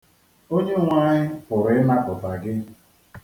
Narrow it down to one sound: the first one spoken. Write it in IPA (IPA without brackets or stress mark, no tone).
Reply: o